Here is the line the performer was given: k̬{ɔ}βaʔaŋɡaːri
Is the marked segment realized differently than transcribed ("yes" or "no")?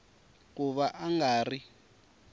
yes